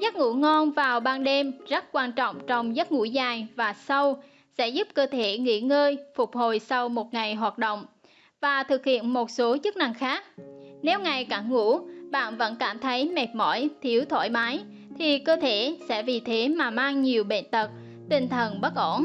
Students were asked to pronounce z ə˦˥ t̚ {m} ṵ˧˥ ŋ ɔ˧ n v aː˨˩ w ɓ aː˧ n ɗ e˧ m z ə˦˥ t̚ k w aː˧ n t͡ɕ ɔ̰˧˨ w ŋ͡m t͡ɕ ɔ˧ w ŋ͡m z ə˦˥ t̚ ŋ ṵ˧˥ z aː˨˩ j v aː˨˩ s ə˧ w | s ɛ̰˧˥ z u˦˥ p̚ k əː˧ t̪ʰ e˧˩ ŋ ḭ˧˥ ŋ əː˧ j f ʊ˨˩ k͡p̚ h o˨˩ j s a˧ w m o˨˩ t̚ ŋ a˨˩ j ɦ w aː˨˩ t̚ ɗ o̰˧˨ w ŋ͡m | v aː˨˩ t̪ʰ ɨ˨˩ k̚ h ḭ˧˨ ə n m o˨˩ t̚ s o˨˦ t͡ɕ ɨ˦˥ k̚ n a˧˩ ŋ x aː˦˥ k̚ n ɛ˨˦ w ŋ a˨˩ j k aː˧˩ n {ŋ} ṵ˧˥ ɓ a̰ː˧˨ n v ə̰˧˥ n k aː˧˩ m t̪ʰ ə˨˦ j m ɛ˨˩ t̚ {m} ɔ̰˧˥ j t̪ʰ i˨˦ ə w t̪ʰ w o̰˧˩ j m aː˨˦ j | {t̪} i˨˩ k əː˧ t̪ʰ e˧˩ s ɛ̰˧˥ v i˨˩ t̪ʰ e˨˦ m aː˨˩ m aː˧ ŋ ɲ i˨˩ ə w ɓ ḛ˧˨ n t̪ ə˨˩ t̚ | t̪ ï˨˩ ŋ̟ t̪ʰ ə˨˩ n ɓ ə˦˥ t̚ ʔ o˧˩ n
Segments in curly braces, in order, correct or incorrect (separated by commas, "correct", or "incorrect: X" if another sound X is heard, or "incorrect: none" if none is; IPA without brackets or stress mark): incorrect: ŋ, correct, correct, incorrect: t̪ʰ